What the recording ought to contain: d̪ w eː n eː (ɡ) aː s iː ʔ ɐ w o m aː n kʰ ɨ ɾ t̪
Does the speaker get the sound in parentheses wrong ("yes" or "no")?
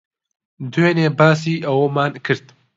yes